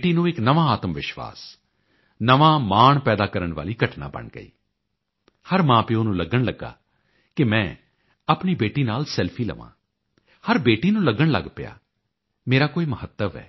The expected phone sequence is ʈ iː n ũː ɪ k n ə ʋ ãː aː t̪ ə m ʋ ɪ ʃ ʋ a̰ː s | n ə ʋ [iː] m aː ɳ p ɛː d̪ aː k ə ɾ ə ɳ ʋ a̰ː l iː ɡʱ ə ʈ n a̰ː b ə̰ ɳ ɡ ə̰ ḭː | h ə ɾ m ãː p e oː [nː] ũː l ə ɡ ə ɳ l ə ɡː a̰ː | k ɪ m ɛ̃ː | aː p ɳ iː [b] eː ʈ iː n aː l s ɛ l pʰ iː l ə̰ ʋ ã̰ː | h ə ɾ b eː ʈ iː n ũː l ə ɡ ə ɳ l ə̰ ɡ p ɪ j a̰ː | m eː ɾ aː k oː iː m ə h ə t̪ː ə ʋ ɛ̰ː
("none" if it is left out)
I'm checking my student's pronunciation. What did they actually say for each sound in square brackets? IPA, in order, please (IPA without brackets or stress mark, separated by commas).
aː, n, b